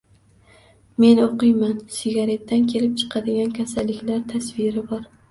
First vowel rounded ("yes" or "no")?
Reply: no